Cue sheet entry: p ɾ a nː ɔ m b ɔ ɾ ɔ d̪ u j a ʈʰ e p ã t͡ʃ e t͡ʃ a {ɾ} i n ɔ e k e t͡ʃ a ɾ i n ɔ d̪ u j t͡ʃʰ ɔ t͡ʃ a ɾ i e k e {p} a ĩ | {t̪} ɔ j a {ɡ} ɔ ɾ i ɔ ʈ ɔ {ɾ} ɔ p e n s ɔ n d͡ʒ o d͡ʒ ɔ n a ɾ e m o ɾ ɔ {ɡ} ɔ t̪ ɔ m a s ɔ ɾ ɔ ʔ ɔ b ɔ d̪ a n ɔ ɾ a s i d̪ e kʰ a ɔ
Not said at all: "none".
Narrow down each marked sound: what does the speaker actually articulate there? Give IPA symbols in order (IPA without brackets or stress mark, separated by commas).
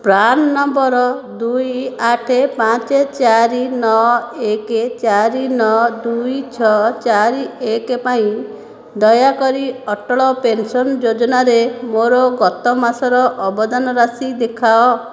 ɾ, p, d̪, k, ɭ, ɡ